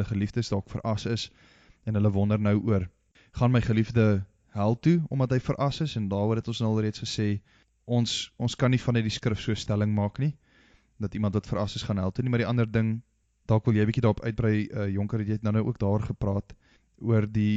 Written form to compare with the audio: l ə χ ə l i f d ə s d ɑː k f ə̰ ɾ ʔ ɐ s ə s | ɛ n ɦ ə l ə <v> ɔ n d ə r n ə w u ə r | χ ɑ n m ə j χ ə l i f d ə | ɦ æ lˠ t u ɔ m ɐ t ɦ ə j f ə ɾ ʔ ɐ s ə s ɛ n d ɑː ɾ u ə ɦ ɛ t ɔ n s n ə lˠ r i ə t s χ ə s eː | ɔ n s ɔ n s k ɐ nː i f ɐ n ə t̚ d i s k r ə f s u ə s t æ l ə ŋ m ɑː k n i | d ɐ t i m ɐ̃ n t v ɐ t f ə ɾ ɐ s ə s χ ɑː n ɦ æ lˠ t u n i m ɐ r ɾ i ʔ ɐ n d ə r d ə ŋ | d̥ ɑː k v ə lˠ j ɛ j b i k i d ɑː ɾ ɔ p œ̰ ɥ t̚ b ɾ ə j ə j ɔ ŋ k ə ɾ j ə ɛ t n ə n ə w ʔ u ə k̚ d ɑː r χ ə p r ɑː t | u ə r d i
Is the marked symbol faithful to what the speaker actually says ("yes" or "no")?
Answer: yes